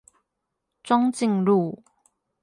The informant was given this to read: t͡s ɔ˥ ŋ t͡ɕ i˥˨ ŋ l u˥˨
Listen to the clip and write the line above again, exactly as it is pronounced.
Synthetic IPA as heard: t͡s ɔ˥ ŋ t͡ɕ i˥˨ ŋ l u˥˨